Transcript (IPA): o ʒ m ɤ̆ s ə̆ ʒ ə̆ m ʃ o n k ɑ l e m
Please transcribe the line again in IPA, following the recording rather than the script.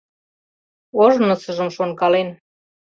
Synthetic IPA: o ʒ n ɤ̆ s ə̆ ʒ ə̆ m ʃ o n k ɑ l e n